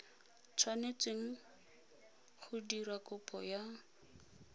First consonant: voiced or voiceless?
voiceless